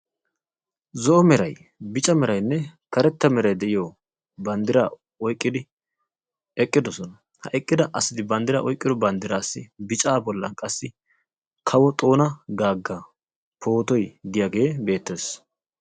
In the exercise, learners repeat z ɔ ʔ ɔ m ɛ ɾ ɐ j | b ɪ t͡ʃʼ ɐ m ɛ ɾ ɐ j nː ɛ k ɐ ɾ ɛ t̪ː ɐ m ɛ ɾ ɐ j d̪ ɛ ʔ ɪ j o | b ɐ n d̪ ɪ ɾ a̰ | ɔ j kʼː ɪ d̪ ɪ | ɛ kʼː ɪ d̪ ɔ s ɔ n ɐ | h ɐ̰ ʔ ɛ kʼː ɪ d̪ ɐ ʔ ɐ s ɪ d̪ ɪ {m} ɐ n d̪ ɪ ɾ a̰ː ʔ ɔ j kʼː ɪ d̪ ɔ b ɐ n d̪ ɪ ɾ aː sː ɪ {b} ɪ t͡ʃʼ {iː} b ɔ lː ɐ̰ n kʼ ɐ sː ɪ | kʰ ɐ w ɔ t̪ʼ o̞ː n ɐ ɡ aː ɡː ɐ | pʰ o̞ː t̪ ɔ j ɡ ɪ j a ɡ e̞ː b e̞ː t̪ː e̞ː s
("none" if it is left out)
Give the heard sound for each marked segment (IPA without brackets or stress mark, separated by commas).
b, b, aː